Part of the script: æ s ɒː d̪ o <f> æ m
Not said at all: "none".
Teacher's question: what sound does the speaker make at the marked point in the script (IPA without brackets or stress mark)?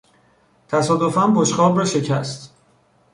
f